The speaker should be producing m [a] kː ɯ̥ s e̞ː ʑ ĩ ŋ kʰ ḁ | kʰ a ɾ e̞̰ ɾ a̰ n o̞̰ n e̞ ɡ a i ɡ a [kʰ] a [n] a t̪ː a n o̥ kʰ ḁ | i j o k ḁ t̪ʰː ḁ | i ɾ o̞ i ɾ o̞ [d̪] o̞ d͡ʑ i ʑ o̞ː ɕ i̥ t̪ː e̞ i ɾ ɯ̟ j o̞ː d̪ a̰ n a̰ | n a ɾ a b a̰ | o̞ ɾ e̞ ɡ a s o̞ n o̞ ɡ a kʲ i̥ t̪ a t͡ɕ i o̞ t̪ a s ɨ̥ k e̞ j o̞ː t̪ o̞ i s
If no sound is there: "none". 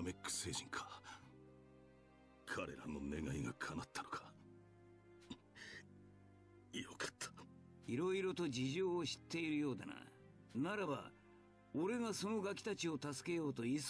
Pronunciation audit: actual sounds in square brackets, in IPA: e, kʰ, n, t̪

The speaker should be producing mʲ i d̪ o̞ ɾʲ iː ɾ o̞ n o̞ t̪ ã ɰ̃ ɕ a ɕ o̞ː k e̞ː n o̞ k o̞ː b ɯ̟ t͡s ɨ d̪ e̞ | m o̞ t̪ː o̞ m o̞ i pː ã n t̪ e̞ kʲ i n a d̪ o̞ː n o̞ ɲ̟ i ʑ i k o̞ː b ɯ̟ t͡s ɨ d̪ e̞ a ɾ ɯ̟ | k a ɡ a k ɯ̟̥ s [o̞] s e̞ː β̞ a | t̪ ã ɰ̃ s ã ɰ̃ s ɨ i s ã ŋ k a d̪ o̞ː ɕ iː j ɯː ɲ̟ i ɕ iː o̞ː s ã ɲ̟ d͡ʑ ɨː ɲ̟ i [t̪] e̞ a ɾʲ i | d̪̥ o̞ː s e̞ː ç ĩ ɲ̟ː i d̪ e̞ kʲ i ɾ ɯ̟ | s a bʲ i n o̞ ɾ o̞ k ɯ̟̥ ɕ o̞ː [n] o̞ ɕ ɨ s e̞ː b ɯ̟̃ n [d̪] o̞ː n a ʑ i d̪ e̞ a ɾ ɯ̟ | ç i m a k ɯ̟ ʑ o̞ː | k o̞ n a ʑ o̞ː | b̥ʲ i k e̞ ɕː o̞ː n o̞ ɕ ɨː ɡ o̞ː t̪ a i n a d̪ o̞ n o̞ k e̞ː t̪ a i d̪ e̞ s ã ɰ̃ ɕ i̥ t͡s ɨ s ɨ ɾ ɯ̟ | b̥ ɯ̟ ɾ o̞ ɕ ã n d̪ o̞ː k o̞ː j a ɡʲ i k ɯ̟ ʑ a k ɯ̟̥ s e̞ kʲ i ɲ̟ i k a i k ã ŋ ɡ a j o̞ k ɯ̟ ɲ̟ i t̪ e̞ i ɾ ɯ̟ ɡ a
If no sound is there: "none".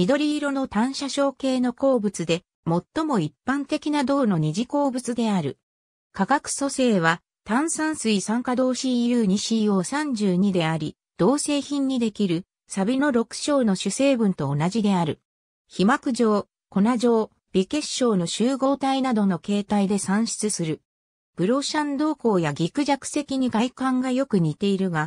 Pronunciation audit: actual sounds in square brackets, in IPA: o̞, d̪, n, t̪

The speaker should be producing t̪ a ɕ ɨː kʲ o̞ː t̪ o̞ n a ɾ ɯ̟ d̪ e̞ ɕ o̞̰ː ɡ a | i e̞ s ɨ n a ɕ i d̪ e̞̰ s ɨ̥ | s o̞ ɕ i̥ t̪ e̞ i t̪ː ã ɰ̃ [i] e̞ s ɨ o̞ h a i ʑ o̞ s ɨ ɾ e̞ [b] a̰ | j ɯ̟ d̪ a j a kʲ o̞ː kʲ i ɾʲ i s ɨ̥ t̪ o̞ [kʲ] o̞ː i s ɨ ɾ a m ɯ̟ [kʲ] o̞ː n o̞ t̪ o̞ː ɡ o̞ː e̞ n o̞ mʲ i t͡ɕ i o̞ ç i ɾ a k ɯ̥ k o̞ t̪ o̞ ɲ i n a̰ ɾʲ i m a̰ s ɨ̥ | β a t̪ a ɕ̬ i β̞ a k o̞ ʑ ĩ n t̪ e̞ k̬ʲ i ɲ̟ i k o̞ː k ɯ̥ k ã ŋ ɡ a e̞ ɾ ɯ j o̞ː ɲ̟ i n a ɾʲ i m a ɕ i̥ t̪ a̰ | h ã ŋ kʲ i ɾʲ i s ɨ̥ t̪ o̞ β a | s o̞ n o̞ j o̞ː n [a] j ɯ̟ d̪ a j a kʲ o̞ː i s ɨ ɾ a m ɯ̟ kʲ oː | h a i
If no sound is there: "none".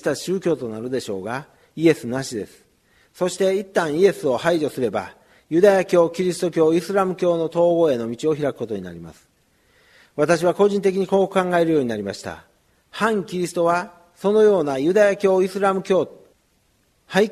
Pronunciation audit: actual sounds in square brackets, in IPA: i, b, kʲ, kʲ, a

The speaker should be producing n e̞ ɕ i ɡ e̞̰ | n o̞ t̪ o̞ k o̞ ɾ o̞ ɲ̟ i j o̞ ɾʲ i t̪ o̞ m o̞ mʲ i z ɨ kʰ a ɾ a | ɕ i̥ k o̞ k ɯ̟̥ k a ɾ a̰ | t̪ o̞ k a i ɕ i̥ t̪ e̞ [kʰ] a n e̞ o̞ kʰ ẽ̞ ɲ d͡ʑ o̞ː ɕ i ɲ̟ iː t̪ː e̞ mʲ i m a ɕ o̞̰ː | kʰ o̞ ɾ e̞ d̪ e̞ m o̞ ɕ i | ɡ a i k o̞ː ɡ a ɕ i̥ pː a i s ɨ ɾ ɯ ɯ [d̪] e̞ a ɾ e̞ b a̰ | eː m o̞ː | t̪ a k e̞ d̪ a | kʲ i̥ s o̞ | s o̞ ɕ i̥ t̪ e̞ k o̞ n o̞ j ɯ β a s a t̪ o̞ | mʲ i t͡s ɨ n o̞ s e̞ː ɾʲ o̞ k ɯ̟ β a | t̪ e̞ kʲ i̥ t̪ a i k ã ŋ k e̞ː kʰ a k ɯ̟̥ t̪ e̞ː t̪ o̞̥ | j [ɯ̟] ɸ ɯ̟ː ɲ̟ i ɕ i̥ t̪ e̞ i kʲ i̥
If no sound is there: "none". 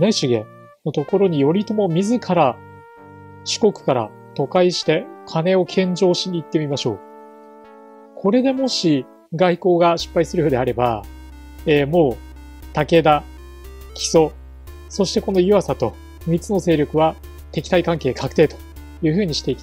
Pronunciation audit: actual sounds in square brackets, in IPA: kʰ, d̪, ɯ̟ː

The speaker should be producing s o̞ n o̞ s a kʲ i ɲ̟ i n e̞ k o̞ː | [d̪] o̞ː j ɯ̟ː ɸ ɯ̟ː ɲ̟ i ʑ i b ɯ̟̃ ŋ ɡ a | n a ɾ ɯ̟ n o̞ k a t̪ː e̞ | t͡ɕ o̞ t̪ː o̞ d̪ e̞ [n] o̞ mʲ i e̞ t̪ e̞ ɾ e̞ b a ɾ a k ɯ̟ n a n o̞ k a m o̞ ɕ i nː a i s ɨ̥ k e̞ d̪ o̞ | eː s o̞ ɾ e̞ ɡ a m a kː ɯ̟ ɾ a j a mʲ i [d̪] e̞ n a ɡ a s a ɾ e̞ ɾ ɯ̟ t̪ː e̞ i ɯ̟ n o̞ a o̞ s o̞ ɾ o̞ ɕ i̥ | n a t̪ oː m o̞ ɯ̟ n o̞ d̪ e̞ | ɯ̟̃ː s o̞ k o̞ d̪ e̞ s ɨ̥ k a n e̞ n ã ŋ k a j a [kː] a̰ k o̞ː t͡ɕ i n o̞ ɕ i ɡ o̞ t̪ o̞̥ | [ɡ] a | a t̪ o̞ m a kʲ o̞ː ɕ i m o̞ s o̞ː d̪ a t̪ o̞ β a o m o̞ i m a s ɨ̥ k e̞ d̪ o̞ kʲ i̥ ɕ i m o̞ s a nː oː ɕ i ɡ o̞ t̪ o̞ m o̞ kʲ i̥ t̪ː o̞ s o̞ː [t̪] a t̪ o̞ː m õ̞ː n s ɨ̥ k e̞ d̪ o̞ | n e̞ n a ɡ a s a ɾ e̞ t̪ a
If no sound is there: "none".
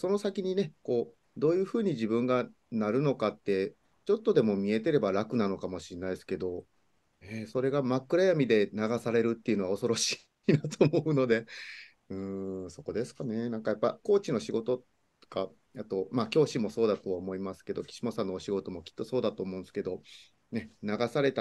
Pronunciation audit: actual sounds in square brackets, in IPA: d̪, m, d̪, pː, k, d̪

